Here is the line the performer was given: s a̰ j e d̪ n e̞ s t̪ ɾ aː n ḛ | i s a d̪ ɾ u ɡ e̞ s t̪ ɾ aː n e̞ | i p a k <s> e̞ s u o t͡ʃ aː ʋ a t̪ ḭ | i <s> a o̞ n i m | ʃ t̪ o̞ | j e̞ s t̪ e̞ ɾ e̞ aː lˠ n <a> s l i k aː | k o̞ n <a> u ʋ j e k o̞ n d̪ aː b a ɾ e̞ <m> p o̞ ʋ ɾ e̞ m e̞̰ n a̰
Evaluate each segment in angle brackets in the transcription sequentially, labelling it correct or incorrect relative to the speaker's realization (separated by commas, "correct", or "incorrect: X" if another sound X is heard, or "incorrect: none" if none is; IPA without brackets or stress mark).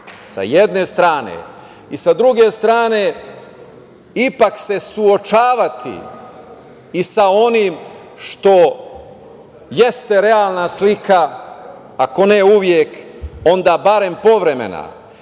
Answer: correct, correct, correct, incorrect: e, correct